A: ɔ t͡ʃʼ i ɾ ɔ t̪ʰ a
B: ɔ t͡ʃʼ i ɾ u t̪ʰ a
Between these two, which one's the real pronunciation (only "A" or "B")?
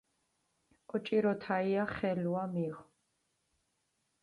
A